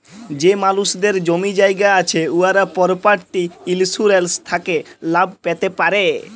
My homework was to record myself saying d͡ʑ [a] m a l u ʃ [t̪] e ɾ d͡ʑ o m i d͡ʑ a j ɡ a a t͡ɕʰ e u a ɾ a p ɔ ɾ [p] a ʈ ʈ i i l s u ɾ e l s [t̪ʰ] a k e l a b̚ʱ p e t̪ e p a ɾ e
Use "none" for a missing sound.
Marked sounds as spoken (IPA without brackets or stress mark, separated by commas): e, d̪, p, t̪ʰ